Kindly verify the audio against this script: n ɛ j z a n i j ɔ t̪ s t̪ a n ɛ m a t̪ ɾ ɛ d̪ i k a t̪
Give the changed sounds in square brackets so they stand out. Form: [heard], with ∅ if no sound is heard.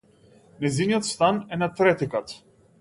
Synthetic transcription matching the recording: n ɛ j z [i] n i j ɔ t̪ s t̪ a n ɛ [n] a t̪ ɾ ɛ [t̪] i k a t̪